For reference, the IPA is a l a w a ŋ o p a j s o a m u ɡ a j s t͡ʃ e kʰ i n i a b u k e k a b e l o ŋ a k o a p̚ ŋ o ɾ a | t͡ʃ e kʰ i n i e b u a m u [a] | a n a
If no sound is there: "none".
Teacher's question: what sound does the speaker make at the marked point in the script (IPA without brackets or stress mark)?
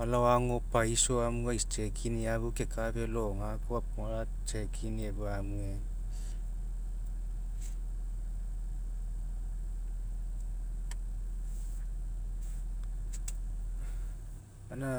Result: e